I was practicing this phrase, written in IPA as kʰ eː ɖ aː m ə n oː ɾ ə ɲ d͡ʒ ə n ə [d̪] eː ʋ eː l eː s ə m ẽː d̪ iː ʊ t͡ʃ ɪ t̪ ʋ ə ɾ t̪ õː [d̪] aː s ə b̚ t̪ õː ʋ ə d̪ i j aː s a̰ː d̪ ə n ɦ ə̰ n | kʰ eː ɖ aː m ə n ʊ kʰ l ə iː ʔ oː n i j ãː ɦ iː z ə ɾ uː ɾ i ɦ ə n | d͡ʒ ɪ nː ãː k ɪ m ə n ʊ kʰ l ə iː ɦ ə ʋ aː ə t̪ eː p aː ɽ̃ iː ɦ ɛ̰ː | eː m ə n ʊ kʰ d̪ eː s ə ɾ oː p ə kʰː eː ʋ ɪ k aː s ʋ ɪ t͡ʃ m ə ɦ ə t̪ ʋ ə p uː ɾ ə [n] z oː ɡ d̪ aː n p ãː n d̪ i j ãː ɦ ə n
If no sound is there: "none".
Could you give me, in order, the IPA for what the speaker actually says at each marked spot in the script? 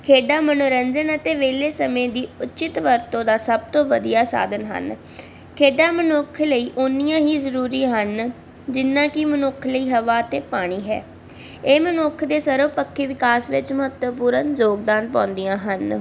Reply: t̪, d̪, n

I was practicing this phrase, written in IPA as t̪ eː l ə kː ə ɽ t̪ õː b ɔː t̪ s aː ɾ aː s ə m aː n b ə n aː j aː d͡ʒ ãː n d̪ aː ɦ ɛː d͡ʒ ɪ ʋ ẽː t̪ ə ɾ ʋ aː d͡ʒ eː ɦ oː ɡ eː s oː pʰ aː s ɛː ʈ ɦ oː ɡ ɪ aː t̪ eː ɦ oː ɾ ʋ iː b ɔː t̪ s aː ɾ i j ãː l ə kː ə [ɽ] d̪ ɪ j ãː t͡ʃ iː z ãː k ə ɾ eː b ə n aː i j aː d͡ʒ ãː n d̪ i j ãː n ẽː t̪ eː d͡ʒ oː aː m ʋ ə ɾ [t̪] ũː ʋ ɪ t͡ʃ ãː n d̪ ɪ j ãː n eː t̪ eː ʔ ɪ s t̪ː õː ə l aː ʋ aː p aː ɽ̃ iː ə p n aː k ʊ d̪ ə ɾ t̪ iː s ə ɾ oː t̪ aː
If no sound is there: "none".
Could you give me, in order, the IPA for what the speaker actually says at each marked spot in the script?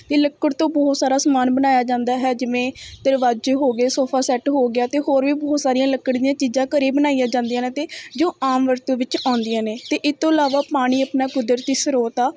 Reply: ɽ, t̪

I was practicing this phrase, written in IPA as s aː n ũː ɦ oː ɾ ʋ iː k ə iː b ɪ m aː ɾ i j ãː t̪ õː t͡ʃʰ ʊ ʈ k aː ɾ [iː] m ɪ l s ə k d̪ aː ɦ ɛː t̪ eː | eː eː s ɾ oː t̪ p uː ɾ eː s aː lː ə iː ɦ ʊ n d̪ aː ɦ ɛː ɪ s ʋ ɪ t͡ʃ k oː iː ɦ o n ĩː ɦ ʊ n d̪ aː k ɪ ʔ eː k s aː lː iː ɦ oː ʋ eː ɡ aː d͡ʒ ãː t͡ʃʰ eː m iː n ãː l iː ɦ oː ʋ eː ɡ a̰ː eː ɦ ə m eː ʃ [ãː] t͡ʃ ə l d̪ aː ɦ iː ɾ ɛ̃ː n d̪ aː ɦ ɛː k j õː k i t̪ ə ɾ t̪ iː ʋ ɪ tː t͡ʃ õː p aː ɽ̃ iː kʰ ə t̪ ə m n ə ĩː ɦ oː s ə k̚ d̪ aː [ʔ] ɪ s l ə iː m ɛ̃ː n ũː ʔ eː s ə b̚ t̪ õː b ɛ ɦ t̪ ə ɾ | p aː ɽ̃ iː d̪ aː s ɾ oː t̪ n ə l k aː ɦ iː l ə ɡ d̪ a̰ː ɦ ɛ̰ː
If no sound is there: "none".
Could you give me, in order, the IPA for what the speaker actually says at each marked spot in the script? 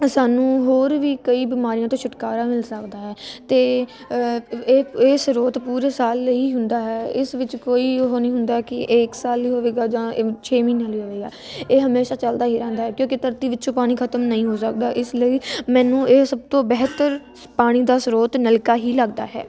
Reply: aː, aː, ʔ

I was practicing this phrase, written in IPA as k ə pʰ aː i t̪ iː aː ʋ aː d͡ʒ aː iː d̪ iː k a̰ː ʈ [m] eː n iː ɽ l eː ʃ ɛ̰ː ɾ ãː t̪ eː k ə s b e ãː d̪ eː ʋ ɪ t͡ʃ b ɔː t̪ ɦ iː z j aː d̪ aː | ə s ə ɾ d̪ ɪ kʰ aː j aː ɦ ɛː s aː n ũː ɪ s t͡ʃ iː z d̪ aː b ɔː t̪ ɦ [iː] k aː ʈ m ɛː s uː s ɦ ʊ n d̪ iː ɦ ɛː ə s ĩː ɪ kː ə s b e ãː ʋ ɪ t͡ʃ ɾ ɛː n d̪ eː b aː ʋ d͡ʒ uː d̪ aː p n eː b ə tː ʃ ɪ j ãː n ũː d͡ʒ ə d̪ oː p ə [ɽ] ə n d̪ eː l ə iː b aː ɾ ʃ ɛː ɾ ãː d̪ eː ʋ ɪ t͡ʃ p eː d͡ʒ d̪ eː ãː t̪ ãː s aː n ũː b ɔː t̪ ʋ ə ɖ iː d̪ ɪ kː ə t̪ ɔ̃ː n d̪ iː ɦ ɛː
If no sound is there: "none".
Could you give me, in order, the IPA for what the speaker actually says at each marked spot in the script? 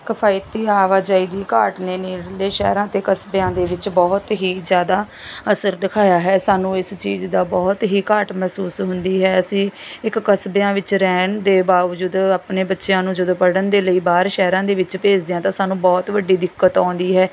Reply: n, iː, ɽ

